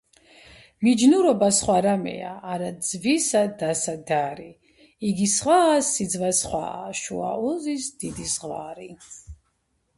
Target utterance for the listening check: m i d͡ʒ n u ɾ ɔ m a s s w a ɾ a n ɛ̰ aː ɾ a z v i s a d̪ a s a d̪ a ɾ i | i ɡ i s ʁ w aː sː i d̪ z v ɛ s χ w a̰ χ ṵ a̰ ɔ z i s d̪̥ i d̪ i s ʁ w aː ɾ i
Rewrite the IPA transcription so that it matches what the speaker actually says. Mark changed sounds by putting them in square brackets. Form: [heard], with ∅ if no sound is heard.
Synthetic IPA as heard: m i d͡ʒ n u ɾ ɔ [b] a s [χ] w a ɾ a [m] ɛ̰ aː ɾ a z v i s a d̪ a s a d̪ a ɾ i | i ɡ i s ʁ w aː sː i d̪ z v [a] s χ w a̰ [ʃ] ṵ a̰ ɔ z i s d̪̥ i d̪ i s ʁ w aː ɾ i